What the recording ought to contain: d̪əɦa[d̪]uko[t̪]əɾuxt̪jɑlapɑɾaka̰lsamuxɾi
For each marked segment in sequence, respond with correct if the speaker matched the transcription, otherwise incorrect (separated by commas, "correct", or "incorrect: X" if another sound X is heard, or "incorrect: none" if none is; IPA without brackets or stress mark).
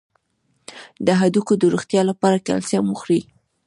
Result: correct, incorrect: d̪